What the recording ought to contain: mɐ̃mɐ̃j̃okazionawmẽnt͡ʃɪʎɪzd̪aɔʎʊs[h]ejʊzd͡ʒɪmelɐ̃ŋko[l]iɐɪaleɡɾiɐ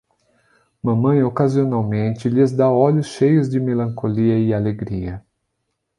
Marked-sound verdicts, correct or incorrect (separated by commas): incorrect, correct